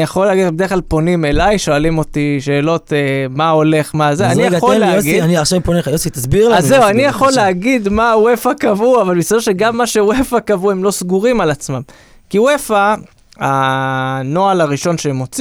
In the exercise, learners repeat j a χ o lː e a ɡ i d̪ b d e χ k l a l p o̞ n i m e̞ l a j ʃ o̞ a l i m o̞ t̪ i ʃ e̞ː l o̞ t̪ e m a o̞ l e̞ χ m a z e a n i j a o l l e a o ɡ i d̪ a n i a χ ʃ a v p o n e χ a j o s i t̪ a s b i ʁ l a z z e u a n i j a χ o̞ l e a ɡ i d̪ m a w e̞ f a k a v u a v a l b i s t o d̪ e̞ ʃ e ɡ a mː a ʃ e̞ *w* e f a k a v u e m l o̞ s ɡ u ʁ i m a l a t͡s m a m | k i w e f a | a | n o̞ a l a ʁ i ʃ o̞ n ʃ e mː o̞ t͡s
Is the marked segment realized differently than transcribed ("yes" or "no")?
no